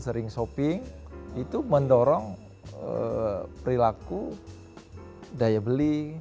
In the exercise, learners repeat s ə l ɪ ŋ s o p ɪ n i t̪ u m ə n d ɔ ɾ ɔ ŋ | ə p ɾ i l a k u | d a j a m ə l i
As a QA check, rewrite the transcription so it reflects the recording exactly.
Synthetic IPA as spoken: s ə ɾ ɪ ŋ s o p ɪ ŋ i t̪ u m ə n d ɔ ɾ ɔ ŋ | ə p ɾ i l a k u | d a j a b ə l i